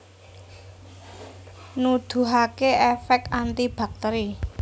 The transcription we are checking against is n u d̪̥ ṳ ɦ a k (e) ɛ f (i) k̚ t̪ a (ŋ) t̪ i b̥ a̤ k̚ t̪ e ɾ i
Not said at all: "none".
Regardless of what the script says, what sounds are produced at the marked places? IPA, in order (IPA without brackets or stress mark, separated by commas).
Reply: e, ɛ, n